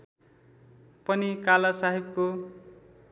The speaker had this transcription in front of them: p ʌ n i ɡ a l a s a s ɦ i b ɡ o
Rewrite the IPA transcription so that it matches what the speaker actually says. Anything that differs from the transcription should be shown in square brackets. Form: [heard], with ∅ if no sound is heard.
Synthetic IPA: p ʌ n i [k] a l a s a [∅] ɦ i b [k] o